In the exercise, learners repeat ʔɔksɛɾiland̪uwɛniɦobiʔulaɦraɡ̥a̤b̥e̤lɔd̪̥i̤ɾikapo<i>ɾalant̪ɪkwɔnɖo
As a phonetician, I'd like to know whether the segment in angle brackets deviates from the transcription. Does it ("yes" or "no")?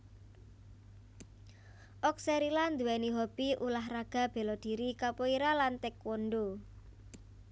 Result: no